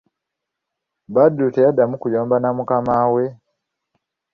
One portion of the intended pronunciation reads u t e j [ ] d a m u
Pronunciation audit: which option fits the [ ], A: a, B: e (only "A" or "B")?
A